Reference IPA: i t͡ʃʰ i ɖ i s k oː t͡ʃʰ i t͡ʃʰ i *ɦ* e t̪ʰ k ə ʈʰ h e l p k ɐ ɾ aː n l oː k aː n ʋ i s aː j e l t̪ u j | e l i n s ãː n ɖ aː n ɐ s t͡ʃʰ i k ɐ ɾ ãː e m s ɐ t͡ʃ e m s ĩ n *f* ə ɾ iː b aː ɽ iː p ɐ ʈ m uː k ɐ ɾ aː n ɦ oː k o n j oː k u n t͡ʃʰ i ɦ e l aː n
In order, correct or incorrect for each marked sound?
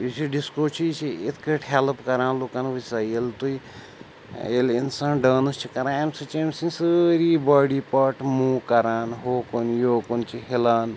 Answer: incorrect: none, incorrect: s

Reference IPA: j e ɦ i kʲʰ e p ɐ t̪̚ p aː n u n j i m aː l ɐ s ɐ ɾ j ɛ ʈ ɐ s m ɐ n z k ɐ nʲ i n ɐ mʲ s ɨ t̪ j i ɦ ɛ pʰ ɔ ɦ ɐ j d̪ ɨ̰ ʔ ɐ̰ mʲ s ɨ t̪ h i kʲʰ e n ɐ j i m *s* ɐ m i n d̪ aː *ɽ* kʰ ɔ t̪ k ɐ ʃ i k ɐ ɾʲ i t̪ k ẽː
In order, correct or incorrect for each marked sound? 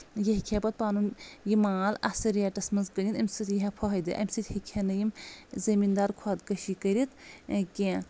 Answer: incorrect: z, incorrect: ɾ

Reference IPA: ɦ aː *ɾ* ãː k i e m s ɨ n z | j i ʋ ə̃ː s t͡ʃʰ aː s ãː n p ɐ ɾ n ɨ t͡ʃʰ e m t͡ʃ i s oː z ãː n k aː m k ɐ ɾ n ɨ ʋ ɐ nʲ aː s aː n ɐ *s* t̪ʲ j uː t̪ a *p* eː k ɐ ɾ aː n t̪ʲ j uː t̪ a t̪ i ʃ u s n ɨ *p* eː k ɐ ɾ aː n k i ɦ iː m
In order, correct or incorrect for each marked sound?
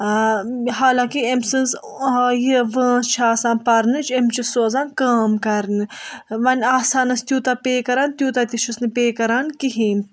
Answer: incorrect: l, correct, correct, correct

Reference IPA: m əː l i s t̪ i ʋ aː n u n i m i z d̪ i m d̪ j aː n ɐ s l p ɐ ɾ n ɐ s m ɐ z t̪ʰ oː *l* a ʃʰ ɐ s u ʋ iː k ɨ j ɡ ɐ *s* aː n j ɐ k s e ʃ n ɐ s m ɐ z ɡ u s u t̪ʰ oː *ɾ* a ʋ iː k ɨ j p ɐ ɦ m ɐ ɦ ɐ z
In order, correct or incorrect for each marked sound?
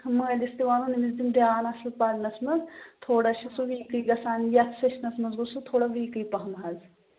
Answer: incorrect: ɽ, correct, incorrect: ɽ

